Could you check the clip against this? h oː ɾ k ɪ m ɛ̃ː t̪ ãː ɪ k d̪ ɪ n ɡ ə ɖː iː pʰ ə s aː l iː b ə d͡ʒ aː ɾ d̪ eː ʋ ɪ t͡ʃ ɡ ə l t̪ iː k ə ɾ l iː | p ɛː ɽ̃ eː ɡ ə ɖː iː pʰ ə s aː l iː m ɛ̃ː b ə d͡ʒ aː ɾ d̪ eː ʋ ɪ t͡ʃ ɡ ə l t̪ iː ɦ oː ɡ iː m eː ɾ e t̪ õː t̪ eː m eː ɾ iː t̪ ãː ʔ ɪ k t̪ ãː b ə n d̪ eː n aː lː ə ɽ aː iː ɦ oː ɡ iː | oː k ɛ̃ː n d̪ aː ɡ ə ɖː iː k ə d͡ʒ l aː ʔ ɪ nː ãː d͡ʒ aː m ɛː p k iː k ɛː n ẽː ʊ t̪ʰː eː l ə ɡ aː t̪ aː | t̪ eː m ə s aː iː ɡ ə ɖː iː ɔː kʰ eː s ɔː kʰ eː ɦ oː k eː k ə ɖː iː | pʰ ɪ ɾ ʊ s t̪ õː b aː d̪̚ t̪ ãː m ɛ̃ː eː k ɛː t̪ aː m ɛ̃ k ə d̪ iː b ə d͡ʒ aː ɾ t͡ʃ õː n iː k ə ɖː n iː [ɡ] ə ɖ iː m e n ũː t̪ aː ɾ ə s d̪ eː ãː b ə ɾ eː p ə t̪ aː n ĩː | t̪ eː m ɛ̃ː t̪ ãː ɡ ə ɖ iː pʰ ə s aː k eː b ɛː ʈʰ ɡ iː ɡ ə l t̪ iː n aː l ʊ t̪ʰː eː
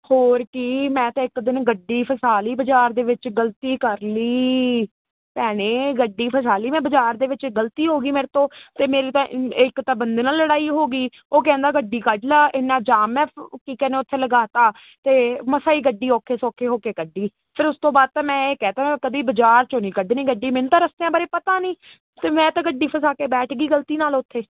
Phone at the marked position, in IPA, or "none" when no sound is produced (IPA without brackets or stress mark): ɡ